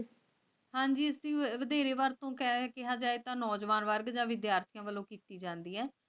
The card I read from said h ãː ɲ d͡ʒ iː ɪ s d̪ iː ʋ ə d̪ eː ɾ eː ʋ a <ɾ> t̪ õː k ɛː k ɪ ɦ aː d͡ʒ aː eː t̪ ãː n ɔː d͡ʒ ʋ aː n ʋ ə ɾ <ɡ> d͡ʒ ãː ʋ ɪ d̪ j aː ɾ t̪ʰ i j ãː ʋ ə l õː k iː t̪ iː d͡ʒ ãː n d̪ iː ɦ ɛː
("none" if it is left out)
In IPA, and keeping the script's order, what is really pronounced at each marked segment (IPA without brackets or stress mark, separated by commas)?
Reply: ɾ, ɡ